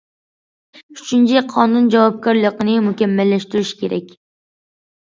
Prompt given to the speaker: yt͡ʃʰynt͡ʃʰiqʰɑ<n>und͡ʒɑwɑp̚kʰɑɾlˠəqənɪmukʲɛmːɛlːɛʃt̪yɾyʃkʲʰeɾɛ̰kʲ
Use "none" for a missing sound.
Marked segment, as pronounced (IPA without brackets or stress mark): n